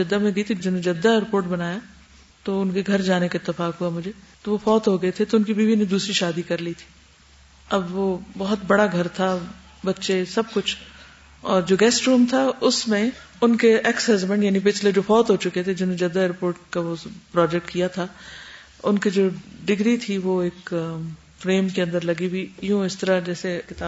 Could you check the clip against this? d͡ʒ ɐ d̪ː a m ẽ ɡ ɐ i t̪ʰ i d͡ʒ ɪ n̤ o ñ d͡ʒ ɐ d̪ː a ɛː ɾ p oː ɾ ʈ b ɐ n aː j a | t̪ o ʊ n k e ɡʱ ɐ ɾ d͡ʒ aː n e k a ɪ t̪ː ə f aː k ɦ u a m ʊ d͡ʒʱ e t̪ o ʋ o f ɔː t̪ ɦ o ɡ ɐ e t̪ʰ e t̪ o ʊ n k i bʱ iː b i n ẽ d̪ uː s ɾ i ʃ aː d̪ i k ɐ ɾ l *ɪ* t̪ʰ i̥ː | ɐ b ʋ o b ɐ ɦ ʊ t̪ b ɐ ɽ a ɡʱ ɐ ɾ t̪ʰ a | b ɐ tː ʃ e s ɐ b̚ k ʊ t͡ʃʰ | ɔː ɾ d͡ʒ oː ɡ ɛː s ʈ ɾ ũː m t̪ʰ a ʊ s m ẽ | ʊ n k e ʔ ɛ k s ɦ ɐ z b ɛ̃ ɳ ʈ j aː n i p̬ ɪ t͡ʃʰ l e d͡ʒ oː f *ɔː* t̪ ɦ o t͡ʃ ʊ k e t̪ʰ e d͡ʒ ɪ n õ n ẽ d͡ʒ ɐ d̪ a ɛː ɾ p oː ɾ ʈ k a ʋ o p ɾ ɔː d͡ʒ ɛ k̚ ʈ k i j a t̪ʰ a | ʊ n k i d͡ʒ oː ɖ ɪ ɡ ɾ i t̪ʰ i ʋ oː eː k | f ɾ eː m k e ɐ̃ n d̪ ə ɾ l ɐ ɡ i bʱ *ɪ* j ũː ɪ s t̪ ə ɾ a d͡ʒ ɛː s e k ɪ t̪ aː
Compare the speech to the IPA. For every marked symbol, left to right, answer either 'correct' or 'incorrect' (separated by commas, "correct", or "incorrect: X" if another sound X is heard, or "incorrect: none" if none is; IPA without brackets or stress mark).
incorrect: i, correct, incorrect: i